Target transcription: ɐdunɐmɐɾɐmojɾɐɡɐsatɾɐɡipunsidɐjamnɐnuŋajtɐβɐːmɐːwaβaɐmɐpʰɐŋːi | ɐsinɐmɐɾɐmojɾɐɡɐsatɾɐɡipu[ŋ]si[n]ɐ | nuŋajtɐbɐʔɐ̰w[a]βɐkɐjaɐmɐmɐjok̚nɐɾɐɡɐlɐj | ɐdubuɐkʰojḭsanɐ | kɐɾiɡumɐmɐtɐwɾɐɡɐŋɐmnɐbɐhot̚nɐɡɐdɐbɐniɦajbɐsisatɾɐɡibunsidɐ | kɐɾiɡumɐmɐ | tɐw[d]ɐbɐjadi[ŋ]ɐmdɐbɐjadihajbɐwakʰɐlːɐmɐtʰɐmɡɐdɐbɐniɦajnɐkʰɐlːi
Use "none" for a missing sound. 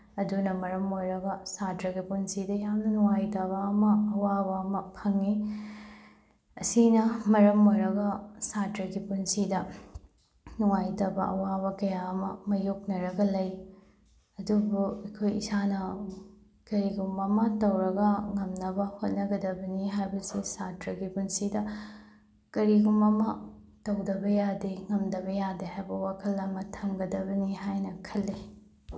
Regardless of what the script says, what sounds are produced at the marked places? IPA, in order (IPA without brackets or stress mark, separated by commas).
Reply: n, d, a, d, ŋ